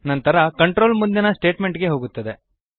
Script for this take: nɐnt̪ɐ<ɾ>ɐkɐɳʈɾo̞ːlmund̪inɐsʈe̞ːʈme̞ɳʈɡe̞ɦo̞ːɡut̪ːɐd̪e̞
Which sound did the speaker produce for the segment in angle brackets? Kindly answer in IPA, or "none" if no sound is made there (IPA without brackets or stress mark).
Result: ɾ